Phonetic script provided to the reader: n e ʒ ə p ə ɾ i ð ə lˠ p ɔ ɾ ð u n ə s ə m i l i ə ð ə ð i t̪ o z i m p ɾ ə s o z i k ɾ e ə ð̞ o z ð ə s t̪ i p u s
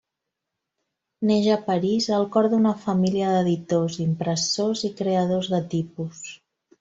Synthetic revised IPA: n e ʒ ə p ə ɾ i z ə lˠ k ɔ ɾ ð u n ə f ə m i l i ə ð ə ð i t̪ o z i m p ɾ ə s o z i k ɾ e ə ð̞ o z ð ə t̪ i p u s